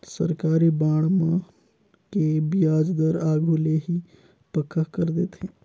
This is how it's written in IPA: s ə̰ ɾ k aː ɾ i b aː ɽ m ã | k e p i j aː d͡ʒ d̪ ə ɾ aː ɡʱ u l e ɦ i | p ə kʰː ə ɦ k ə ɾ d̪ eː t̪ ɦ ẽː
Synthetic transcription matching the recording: s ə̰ ɾ k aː ɾ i b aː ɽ m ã | k e b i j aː d͡ʒ d̪ ə ɾ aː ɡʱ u l e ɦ i | p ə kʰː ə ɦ k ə ɾ d̪ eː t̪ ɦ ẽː